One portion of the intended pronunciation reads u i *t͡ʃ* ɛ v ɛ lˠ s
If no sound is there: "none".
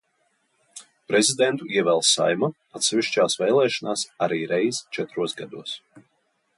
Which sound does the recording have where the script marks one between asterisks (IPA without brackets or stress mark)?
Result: none